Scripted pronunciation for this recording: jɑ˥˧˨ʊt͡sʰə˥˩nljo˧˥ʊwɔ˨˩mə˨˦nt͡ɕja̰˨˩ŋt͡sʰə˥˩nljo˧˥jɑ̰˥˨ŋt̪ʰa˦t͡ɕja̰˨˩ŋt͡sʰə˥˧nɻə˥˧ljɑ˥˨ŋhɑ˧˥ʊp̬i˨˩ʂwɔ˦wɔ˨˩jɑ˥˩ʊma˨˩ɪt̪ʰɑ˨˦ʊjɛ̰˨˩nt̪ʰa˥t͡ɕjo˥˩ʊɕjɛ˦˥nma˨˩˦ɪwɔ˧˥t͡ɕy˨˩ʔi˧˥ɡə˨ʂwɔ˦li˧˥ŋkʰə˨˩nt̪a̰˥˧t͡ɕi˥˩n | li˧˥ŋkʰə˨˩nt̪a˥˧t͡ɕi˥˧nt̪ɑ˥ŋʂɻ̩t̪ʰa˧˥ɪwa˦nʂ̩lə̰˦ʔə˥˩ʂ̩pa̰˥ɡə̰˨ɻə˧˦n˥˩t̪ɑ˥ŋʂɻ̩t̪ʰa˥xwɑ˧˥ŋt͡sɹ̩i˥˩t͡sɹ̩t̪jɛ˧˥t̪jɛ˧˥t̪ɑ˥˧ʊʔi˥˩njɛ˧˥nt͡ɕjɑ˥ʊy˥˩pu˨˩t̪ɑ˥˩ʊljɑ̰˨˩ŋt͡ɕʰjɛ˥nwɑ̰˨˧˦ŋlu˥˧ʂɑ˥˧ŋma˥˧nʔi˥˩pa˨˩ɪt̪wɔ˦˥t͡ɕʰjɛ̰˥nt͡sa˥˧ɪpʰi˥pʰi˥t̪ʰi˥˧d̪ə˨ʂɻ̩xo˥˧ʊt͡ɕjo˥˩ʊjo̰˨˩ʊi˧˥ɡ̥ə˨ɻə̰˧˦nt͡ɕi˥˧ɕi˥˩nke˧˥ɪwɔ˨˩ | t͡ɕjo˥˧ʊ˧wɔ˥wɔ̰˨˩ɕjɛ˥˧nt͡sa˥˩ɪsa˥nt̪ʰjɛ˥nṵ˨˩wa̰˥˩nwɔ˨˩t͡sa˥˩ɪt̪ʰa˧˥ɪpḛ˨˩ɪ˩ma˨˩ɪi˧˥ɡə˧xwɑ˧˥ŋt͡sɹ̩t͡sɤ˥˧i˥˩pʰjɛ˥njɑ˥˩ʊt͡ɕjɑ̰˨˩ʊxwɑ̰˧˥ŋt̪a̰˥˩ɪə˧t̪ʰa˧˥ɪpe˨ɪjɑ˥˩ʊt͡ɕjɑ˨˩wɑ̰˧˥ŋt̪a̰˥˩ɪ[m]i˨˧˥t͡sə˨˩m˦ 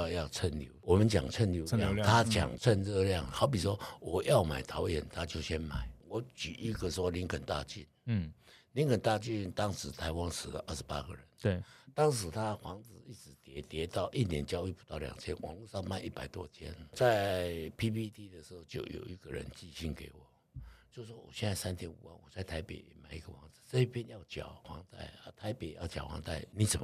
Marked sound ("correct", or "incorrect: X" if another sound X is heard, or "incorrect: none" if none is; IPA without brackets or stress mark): incorrect: n